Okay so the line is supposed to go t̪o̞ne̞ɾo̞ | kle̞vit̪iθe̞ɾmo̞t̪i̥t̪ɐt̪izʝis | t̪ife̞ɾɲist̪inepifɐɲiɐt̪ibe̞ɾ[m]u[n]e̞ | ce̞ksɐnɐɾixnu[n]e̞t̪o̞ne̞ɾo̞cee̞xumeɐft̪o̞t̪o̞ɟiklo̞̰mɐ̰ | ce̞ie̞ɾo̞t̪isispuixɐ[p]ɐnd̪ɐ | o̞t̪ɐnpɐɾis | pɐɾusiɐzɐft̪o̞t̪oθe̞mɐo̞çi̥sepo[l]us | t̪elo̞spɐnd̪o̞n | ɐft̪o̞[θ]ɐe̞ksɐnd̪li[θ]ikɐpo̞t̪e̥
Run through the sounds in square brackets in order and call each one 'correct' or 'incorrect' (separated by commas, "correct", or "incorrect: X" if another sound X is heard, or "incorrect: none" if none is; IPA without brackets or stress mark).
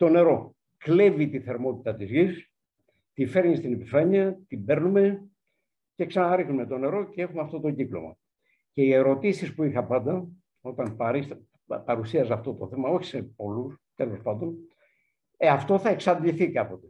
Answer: incorrect: n, incorrect: m, incorrect: m, correct, correct, correct, correct